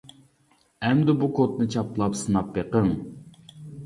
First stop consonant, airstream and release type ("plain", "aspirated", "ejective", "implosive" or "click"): plain